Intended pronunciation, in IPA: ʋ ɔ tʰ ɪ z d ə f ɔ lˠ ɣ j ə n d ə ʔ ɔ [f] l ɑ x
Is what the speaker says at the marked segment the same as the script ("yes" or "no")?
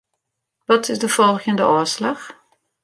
no